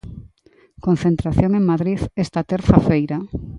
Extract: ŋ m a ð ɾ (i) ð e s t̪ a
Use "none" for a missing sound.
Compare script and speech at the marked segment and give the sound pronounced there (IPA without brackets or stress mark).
i